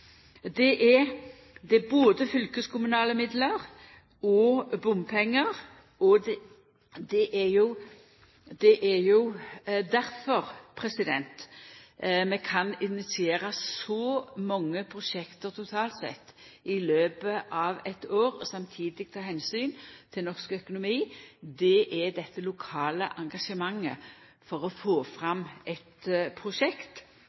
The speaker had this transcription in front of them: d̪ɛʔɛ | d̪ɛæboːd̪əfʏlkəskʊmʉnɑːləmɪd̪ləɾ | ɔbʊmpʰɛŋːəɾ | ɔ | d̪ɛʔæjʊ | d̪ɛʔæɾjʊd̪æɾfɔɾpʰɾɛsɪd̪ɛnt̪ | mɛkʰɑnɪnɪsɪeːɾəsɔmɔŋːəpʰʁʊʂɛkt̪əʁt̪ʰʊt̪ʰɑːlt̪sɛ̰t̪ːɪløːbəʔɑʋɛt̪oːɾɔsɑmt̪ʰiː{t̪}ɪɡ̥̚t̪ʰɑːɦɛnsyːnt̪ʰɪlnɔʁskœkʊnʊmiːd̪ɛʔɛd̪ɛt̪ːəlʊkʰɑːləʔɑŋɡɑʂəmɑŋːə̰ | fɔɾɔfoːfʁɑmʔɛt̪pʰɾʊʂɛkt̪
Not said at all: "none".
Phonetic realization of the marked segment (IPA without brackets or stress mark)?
d̪